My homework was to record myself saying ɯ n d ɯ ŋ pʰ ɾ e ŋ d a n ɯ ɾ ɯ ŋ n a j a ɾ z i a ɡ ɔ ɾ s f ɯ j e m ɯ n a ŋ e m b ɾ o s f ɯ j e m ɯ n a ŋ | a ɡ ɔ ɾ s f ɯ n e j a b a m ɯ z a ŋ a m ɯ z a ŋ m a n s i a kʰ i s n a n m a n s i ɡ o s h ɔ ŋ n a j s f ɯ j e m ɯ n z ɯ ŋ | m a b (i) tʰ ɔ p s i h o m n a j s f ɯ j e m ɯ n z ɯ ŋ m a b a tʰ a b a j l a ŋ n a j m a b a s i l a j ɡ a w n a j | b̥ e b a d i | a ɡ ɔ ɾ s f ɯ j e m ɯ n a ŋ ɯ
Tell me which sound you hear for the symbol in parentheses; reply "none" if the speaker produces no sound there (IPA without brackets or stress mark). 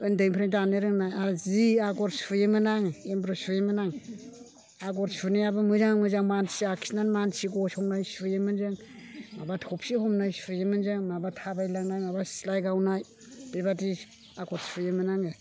a